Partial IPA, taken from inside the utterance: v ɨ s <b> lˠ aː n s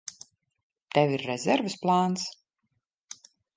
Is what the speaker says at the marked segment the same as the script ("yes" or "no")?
no